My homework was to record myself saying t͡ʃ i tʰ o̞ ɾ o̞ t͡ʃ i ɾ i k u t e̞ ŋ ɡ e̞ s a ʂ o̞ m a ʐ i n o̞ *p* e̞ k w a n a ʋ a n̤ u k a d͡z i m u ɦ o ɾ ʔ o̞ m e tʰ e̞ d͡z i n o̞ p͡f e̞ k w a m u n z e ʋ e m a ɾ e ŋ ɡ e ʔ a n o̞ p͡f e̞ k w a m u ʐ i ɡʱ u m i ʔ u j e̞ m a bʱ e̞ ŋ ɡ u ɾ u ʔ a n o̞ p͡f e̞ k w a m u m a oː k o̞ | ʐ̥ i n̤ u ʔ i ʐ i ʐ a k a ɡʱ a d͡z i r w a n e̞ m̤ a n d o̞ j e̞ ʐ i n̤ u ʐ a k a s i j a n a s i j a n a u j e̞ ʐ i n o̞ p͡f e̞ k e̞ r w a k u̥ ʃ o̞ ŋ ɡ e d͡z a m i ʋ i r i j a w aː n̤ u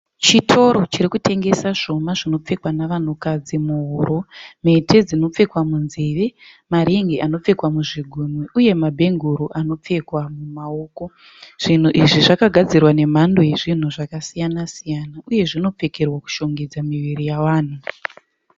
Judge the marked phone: incorrect: p͡f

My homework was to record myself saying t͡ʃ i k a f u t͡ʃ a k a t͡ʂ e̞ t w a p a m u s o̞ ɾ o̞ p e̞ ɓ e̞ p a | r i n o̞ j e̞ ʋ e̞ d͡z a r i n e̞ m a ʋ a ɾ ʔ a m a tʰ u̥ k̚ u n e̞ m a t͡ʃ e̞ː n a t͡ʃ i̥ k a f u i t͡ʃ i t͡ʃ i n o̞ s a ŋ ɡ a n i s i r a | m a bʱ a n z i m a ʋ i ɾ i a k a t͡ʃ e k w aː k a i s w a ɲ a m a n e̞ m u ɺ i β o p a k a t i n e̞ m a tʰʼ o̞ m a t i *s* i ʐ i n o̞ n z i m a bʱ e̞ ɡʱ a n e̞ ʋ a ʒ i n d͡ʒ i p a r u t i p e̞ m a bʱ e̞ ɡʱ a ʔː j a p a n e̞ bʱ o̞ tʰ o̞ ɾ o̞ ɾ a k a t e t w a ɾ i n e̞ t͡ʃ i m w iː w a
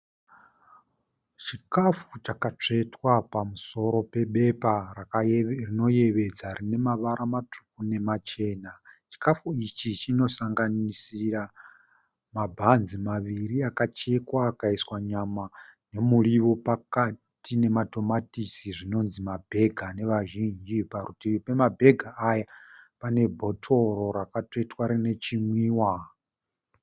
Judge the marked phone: correct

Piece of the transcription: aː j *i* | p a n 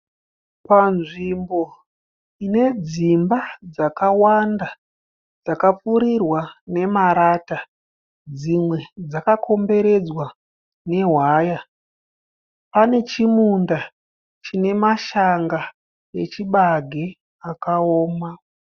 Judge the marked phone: incorrect: a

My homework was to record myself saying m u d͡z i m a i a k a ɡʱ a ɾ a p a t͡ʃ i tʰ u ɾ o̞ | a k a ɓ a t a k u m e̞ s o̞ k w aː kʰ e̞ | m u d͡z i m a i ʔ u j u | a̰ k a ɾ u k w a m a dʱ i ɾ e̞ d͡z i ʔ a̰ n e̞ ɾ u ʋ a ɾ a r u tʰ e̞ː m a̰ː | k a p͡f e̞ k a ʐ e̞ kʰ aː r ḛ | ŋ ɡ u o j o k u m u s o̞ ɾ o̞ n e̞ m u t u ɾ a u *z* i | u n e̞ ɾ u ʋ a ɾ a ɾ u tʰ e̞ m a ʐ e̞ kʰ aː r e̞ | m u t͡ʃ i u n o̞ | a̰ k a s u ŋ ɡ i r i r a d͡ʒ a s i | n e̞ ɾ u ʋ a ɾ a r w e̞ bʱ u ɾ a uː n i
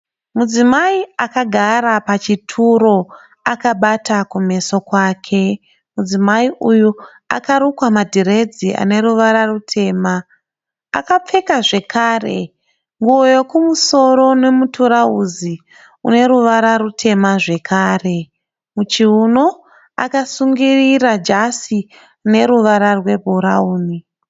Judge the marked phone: correct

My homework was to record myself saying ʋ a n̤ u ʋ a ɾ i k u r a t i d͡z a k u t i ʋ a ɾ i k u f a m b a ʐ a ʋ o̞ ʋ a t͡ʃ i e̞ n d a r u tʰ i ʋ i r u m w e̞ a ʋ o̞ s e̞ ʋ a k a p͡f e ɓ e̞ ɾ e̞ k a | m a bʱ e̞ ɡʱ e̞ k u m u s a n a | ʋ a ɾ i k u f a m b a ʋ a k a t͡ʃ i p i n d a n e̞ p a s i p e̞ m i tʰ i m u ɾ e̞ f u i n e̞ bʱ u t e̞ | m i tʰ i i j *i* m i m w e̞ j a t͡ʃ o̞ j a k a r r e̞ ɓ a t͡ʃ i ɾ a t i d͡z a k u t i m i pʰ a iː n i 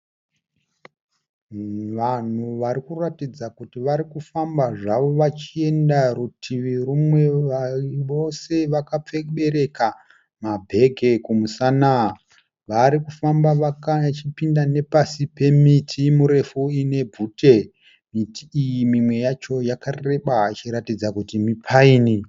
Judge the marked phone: correct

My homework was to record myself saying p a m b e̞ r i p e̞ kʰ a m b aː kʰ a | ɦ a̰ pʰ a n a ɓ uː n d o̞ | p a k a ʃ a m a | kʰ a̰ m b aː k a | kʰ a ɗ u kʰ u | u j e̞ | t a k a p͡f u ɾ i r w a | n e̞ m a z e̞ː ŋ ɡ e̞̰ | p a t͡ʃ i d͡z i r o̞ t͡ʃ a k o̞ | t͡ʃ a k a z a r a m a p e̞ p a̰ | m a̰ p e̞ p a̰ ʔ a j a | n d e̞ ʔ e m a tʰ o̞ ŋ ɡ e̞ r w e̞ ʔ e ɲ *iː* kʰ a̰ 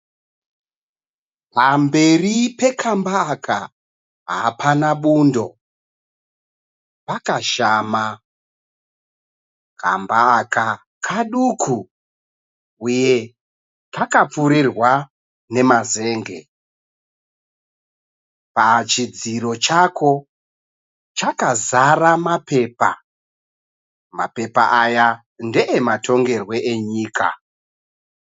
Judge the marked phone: correct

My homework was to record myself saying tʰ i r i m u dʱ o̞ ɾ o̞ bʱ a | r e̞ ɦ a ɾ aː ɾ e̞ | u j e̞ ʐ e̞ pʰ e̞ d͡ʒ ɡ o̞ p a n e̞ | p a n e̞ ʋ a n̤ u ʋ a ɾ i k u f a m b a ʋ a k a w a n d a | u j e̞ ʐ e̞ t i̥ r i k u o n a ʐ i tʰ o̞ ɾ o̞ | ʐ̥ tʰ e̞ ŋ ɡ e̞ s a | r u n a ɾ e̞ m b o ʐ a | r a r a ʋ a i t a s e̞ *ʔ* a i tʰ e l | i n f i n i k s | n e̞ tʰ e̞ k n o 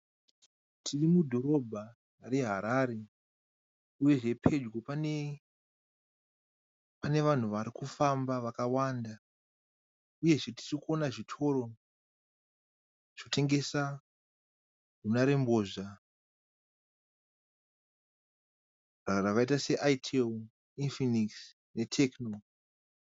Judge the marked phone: correct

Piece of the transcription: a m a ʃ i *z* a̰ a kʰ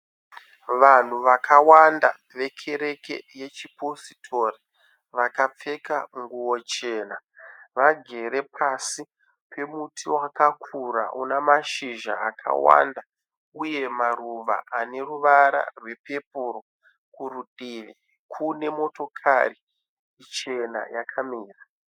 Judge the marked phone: incorrect: ʒ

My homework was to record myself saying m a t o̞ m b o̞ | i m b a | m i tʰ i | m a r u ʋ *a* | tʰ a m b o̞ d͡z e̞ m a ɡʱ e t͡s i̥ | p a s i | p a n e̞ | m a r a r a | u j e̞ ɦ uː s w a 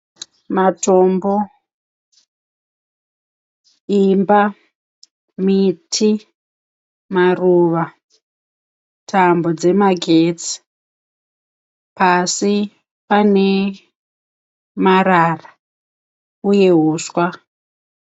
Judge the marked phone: correct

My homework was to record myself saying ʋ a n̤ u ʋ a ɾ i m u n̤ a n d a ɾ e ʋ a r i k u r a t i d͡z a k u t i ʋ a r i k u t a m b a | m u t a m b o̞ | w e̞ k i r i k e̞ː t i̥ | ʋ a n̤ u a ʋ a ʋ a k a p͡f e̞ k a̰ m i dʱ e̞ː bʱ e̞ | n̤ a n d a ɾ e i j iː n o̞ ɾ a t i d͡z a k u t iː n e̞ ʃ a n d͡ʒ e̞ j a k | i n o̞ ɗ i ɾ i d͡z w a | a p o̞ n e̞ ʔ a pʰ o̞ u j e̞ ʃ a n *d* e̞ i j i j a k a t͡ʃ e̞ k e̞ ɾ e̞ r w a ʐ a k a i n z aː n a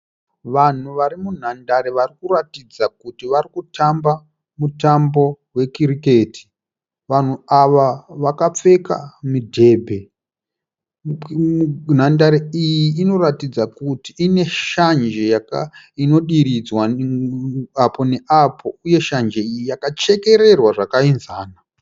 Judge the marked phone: incorrect: d͡ʒ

